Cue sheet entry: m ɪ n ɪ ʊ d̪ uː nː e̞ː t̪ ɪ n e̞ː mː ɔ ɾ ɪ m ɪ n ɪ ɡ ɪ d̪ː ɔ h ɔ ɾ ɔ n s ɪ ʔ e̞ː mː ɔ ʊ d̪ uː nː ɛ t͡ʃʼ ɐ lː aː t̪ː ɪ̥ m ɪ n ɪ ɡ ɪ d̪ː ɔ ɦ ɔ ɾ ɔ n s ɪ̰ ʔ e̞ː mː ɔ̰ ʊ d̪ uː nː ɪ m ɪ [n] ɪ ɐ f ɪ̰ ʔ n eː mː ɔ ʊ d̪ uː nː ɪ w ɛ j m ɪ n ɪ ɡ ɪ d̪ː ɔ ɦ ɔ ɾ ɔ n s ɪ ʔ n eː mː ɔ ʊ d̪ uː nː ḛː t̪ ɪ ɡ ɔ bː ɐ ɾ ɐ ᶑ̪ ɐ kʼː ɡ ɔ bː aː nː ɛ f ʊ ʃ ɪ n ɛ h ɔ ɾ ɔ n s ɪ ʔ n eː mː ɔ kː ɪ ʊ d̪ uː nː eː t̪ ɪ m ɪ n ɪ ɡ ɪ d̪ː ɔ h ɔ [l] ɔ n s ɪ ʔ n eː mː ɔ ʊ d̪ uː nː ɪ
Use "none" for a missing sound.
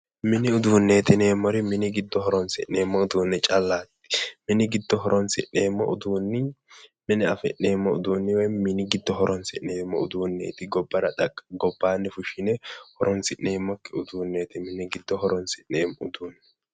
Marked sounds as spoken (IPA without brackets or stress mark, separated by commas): n, ɾ